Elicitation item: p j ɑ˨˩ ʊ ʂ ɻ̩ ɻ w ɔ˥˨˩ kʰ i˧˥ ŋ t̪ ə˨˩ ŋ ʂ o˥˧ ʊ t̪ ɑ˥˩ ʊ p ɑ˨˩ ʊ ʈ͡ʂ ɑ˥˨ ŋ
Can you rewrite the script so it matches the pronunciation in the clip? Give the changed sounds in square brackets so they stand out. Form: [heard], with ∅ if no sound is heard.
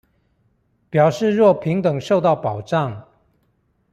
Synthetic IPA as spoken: p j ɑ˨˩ ʊ ʂ ɻ̩ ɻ w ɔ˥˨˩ [pʰ] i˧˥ ŋ t̪ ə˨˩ ŋ ʂ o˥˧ ʊ t̪ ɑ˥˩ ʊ p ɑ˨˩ ʊ ʈ͡ʂ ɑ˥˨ ŋ